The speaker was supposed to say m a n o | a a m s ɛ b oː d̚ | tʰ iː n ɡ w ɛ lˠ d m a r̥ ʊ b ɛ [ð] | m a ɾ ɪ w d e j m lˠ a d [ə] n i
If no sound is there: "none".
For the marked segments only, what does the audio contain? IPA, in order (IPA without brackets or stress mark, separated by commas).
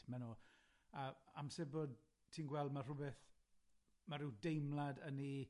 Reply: θ, ə